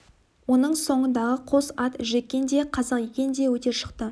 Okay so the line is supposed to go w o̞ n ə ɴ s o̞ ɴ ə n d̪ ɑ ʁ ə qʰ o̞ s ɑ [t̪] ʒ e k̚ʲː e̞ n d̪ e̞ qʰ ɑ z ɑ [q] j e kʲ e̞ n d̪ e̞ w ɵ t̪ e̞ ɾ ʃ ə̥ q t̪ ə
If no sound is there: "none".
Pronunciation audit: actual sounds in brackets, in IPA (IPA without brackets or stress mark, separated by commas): t̪, q